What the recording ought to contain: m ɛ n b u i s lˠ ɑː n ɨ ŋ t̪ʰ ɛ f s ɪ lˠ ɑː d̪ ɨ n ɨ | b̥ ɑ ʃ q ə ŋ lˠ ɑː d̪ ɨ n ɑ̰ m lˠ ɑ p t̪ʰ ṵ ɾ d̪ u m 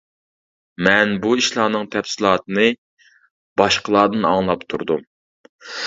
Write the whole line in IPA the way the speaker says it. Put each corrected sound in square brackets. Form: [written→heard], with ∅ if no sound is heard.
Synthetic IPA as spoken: m ɛ n b u i [s→ʃ] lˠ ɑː n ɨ ŋ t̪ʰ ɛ f s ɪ lˠ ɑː [d̪→t̪] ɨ n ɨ | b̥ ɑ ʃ q ə [ŋ→∅] lˠ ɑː d̪ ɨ n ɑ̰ [m→ŋ] lˠ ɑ p t̪ʰ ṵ ɾ d̪ u m